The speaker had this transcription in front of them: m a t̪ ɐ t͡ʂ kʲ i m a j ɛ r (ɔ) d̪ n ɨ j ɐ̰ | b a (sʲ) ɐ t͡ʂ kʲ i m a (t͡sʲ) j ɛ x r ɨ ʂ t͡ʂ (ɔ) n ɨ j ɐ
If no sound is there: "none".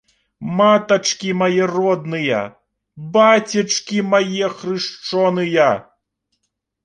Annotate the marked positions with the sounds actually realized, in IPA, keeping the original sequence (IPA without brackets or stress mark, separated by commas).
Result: ɔ, t͡sʲ, none, ɔ